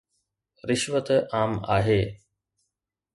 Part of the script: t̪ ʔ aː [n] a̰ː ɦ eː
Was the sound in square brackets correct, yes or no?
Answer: no